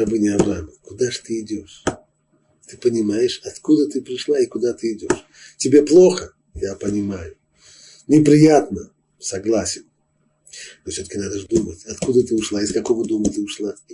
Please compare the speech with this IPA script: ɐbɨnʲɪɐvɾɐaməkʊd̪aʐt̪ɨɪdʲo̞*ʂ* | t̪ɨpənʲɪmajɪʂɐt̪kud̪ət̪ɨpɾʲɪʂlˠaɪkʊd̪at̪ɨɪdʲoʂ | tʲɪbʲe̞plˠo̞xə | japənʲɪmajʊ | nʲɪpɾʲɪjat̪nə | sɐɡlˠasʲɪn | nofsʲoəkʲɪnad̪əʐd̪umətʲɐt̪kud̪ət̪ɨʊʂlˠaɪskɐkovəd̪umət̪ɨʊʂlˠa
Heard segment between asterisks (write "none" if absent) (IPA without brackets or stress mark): ʂ